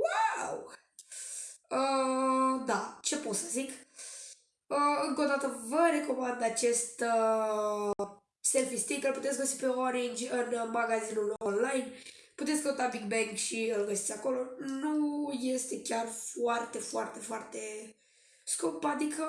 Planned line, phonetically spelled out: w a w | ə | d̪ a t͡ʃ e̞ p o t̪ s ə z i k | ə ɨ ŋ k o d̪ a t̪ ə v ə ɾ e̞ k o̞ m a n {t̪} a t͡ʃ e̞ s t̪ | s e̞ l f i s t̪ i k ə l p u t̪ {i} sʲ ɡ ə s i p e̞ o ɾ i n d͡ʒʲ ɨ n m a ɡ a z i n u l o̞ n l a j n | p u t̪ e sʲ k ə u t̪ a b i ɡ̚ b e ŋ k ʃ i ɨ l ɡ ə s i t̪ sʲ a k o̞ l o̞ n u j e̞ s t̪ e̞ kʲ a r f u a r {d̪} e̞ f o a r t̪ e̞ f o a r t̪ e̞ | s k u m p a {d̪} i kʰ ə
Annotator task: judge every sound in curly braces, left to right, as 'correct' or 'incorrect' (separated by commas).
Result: incorrect, incorrect, incorrect, correct